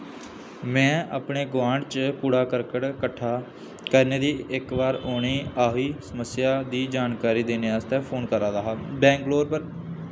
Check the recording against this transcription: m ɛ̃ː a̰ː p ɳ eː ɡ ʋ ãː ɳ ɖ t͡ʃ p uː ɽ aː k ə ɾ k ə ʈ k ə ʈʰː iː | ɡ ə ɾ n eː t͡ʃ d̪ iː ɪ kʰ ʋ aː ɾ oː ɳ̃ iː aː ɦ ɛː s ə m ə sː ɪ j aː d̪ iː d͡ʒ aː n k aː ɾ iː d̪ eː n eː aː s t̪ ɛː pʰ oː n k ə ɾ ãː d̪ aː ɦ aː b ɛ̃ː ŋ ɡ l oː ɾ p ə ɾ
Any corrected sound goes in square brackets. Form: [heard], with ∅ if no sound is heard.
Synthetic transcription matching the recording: m ɛ̃ː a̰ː p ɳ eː ɡ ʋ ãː ɳ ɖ t͡ʃ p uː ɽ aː k ə ɾ k ə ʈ k ə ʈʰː [aː] | [k] ə ɾ n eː [∅] d̪ iː ɪ [k] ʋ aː ɾ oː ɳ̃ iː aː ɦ [iː] s ə m ə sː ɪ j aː d̪ iː d͡ʒ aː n k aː ɾ iː d̪ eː n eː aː s t̪ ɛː pʰ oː n k ə ɾ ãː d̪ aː ɦ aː b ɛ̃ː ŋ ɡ l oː ɾ p ə ɾ

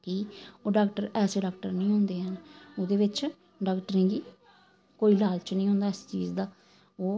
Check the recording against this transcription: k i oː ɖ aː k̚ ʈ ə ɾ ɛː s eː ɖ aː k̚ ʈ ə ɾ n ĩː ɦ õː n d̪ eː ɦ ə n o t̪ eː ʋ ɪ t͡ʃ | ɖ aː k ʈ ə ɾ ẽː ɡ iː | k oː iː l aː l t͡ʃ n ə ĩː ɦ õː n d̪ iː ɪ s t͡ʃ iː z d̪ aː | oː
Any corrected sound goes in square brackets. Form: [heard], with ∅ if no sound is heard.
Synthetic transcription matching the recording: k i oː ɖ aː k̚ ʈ ə ɾ ɛː s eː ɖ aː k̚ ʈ ə ɾ n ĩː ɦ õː n d̪ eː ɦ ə n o [d̪] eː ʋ ɪ t͡ʃ | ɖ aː k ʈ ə ɾ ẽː ɡ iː | k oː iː l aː l t͡ʃ n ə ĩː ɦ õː n d̪ [aː] ɪ s t͡ʃ iː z d̪ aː | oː

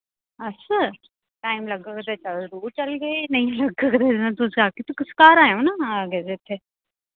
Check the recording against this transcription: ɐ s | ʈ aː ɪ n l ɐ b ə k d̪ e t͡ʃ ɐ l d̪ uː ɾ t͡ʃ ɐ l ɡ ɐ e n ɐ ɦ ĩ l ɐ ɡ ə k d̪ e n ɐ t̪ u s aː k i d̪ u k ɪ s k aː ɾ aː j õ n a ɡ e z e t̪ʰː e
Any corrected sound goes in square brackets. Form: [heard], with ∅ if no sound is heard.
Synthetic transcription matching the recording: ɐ s | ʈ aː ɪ [m] l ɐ [ɡ] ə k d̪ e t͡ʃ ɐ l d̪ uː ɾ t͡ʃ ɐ l ɡ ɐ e n ɐ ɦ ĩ l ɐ ɡ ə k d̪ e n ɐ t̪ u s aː k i [t̪] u k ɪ s k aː ɾ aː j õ n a ɡ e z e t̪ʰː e

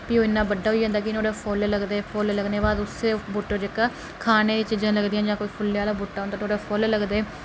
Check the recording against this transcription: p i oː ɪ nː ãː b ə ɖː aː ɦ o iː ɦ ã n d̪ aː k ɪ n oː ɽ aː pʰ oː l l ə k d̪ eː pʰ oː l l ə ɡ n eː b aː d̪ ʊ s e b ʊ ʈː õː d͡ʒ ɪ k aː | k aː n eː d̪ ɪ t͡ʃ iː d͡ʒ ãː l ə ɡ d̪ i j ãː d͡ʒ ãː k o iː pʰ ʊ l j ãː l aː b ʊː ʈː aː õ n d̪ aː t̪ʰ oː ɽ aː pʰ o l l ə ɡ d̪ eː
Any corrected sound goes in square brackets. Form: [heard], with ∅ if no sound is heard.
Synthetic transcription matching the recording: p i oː ɪ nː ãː b ə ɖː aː ɦ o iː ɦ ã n d̪ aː k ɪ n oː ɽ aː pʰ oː l l ə [ɡ] d̪ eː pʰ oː l l ə ɡ n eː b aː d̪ ʊ s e b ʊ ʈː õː d͡ʒ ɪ k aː | [kʰ] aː n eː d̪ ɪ t͡ʃ iː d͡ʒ ãː l ə ɡ d̪ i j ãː d͡ʒ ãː k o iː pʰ ʊ l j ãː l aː b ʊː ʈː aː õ n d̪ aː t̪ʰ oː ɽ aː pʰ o l l ə ɡ d̪ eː

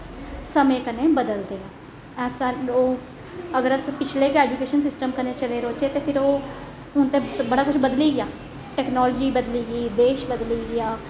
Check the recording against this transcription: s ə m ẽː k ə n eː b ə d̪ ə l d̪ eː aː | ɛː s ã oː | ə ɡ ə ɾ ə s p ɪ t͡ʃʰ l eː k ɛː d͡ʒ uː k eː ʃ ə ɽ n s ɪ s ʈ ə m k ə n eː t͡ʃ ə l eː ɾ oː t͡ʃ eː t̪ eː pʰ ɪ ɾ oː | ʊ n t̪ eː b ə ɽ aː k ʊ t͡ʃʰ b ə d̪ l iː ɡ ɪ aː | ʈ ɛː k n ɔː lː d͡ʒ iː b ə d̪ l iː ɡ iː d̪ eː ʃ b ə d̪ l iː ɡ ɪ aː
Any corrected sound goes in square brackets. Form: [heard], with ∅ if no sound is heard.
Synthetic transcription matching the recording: s ə m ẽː k ə n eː b ə d̪ ə l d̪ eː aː | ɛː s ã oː | ə ɡ ə ɾ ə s p ɪ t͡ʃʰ l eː k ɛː d͡ʒ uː k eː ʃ ə [∅] n s ɪ s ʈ ə m k ə n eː t͡ʃ ə l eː ɾ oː t͡ʃ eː t̪ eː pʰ ɪ ɾ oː | ʊ n t̪ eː b ə ɽ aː k ʊ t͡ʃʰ b ə d̪ l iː ɡ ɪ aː | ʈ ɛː k n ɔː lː d͡ʒ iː b ə d̪ l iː ɡ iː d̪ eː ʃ b ə d̪ l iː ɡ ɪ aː

